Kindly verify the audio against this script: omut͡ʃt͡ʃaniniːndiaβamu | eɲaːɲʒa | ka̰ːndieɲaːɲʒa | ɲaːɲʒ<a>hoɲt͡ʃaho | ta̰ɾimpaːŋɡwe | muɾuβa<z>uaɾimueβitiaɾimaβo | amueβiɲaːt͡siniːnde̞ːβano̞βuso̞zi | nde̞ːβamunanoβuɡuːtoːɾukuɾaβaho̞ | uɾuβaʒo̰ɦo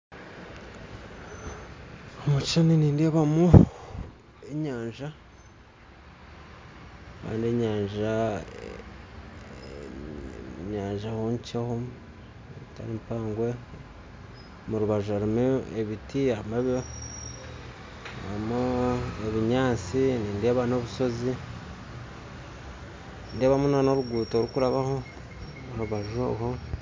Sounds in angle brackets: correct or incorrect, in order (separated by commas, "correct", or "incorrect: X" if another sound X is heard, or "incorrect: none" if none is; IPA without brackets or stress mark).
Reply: correct, incorrect: ʒ